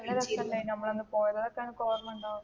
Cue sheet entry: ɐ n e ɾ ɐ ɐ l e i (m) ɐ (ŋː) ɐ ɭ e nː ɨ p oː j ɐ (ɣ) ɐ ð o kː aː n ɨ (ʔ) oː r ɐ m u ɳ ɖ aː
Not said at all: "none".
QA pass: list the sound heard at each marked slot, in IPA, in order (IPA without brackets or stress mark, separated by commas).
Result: n, mː, ð, k